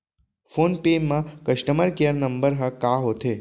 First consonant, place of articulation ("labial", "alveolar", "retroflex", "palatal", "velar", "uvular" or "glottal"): labial